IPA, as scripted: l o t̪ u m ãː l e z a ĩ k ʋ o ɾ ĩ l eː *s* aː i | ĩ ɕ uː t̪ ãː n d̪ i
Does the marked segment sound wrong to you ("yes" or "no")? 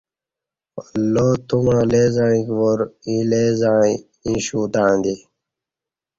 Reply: yes